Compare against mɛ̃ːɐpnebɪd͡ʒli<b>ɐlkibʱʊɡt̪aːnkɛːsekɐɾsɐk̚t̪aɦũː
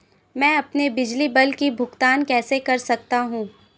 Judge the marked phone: correct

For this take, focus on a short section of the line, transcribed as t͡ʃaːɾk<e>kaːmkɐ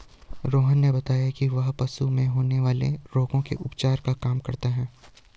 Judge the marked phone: incorrect: a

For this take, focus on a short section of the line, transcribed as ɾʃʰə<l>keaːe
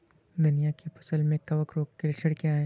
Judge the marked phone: incorrect: ɽ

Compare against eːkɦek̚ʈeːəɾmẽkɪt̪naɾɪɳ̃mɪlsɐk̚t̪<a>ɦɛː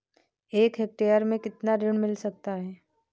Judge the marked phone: correct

